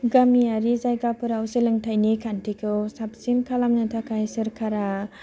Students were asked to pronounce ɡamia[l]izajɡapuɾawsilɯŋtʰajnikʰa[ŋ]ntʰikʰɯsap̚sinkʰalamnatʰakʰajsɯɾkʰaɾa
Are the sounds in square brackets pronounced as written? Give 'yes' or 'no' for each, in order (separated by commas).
no, no